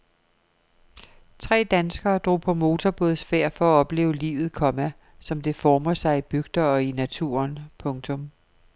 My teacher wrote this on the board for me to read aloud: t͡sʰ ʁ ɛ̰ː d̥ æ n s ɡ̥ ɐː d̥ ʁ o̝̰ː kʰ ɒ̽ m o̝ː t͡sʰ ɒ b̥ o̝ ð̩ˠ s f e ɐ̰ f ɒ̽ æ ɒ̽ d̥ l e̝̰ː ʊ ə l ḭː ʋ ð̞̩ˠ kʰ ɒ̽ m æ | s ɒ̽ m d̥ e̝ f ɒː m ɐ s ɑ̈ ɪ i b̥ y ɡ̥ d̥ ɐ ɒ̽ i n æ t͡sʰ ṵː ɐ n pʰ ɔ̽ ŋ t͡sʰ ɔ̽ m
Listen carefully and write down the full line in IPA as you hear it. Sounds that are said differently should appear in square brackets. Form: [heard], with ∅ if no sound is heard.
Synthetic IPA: t͡sʰ ʁ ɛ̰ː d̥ æ n s ɡ̥ ɐː d̥ ʁ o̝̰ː [pʰ] ɒ̽ m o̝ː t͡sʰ ɒ b̥ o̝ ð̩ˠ s f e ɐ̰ f ɒ̽ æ ɒ̽ [b̥] l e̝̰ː ʊ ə l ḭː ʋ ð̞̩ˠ kʰ ɒ̽ m æ | s ɒ̽ m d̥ e̝ f ɒː m ɐ s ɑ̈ ɪ i b̥ y ɡ̥ d̥ ɐ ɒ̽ i n æ t͡sʰ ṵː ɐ n pʰ ɔ̽ ŋ t͡sʰ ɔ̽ m